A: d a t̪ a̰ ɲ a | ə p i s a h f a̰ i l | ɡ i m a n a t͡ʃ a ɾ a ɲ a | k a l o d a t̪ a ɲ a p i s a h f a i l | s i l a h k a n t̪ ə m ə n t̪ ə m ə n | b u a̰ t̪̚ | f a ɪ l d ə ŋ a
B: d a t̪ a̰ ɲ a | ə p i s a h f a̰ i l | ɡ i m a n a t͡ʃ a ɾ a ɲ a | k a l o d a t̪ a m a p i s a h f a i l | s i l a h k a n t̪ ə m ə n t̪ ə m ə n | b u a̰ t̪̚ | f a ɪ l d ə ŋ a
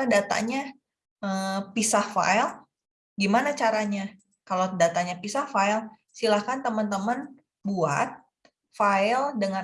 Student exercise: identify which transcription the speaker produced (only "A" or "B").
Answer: A